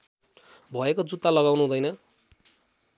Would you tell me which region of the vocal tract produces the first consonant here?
lips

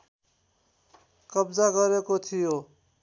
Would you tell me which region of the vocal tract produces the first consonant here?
velum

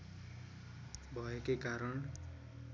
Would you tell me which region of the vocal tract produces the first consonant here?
lips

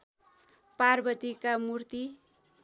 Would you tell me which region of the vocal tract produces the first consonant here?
lips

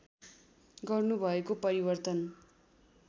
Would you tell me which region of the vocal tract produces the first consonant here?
velum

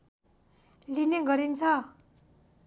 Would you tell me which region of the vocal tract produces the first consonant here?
tongue tip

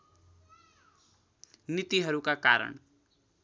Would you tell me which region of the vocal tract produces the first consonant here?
tongue tip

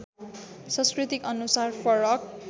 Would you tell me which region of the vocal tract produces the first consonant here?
tongue tip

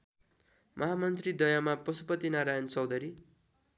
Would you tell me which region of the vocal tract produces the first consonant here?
lips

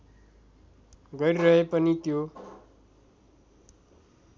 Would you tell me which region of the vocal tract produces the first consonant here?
velum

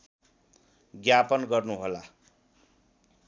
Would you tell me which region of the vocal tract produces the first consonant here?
velum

